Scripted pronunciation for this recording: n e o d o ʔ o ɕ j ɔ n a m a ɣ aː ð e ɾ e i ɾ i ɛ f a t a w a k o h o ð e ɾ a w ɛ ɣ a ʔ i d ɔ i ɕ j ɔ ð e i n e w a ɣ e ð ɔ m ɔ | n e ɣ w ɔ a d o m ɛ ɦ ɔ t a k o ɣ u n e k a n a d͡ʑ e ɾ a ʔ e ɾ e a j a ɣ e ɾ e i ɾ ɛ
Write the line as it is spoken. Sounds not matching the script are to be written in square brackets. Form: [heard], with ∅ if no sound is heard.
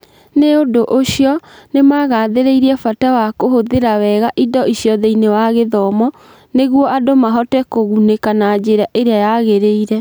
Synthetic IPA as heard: n e o d o ʔ o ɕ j ɔ n [e] m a ɣ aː ð e ɾ e i ɾ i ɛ f a t a w a k o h o ð e ɾ a w ɛ ɣ a ʔ i d ɔ i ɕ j ɔ ð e i n e w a ɣ e ð ɔ m ɔ | n e ɣ w ɔ a d o m [a] ɦ ɔ t [ɛ] k o ɣ u n e k a n a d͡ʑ e ɾ a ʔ e ɾ e a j a ɣ e ɾ e i ɾ ɛ